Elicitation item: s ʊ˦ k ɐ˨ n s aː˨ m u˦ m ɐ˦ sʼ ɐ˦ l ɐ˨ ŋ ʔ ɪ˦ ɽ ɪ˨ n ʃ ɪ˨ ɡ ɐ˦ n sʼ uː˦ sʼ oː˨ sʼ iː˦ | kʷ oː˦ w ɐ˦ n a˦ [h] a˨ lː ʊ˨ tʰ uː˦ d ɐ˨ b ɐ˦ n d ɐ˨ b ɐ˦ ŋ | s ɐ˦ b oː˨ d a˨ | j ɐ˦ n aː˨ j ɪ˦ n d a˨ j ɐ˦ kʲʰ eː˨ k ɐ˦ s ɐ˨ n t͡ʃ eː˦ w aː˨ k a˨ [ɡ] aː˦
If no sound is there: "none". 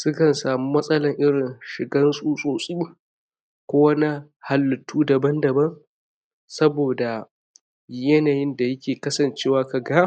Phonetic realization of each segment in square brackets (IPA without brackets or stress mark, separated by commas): h, ɡ